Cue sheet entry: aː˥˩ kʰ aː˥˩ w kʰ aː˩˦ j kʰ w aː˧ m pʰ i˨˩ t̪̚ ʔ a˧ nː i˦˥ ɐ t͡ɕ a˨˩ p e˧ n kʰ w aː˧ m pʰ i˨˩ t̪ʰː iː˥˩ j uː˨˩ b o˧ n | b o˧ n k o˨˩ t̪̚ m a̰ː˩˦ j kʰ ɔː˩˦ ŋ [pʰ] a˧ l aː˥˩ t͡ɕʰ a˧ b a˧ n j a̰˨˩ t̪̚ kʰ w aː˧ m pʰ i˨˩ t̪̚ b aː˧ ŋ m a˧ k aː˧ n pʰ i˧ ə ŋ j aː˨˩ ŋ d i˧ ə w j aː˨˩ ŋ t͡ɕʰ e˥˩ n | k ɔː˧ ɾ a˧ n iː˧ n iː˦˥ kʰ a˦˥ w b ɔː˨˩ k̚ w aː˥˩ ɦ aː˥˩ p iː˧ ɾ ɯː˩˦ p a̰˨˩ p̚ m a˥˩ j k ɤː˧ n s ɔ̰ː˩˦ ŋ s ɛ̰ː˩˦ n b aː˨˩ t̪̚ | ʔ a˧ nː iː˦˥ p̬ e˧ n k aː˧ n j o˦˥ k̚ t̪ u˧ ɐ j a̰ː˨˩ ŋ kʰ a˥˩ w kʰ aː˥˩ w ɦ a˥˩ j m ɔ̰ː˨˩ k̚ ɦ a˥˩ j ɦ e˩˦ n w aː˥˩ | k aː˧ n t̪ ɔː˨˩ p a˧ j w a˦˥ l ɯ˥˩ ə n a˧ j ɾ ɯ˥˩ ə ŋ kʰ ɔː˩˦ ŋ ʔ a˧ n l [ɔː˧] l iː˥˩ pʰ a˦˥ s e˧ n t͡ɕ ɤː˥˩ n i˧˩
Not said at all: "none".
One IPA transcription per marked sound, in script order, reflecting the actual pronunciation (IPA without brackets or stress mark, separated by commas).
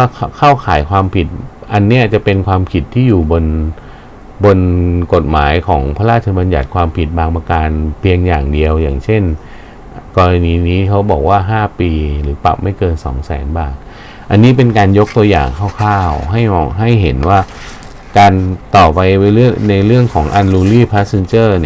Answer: pʰ, uː˧